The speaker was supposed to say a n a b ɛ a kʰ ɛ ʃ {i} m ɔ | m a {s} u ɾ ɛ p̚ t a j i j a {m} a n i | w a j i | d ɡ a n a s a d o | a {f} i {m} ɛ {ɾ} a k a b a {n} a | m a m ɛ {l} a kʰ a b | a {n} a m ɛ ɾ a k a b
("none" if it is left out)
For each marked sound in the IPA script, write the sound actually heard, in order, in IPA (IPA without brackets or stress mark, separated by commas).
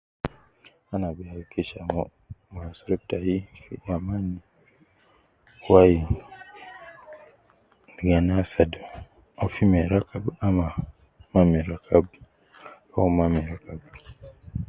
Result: a, s, m, f, m, ɾ, m, ɾ, m